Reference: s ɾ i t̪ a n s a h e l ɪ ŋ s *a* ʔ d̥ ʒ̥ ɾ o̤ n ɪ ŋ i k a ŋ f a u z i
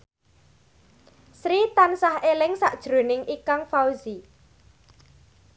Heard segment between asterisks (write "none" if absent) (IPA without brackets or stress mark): a